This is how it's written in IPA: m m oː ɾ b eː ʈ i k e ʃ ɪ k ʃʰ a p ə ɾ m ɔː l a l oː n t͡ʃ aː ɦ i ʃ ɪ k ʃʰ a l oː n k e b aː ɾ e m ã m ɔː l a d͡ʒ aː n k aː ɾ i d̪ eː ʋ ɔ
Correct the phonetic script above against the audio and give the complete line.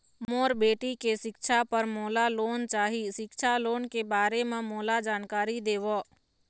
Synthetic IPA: m m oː ɾ b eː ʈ i k e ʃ ɪ k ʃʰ a p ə ɾ m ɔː l a l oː n t͡ʃ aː ɦ i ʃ ɪ k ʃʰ a l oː n k e b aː ɾ e m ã m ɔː l a d͡ʒ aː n k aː ɾ i d̪ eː ʋ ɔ